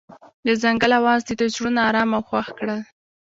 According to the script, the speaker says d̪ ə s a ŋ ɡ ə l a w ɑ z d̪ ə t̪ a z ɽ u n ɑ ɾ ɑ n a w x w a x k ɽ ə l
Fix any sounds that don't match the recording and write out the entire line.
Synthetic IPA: d̪ ə z a ŋ ɡ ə l a w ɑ z d̪ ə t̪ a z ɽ u n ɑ ɾ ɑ m a w x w a x k ɽ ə l